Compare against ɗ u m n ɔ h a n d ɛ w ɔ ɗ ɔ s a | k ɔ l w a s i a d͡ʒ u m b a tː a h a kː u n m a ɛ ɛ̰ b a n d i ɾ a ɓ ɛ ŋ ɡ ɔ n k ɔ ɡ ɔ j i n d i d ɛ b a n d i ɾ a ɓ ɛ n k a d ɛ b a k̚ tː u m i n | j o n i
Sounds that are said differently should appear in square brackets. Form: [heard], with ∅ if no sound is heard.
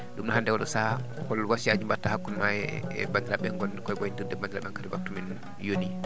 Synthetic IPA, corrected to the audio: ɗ u m n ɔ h a n d ɛ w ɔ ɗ ɔ s a | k ɔ l w a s i a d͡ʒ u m b a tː a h a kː u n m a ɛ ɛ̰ b a n d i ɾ a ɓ ɛ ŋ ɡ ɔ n k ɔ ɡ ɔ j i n d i d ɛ b a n d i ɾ a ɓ ɛ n k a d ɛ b a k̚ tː u m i n | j o n i